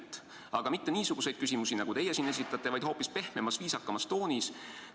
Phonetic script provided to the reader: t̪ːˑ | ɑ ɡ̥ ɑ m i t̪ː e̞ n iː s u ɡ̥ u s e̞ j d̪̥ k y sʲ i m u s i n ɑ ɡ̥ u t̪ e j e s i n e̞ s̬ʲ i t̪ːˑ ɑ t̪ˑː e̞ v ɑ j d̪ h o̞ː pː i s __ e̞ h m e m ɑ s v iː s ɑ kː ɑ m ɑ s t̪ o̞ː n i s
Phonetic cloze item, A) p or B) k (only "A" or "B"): A